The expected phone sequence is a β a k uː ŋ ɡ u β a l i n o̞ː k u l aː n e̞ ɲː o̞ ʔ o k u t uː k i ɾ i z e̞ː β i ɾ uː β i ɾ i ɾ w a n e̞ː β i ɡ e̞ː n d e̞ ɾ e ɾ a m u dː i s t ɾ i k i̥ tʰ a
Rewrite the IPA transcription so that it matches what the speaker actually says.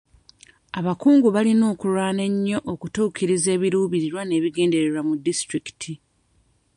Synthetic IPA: a β a k uː ŋ ɡ u β a l i n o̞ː k u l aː n e̞ ɲː o̞ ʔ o k u t uː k i ɾ i z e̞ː β i ɾ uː β i ɾ i ɾ w a n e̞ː β i ɡ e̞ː n d e̞ ɾ e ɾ a m u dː i s t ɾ i k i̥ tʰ i

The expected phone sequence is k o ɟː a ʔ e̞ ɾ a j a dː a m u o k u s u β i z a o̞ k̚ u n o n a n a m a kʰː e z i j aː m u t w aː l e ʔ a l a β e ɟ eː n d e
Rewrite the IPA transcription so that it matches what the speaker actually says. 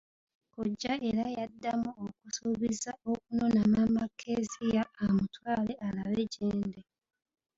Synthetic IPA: k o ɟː a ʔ e̞ ɾ a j a dː a m u o k u s u β i z a o̞ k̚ u n o n a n a m a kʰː e z i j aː m u t w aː l e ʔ a l a β e ɟ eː n d e

